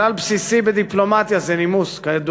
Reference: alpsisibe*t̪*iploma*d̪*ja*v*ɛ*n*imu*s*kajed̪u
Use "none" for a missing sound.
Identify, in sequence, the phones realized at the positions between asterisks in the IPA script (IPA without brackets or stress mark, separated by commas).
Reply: d̪, t̪, z, n, s